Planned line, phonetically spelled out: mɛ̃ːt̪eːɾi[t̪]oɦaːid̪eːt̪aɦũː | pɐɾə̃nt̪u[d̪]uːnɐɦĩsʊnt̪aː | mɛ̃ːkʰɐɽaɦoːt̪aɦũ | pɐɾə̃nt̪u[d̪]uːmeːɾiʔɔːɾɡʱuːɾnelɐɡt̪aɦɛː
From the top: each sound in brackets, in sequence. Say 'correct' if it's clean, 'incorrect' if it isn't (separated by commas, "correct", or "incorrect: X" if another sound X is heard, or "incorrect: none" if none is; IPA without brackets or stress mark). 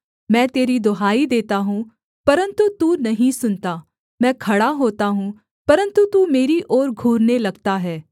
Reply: incorrect: d̪, incorrect: t̪, incorrect: t̪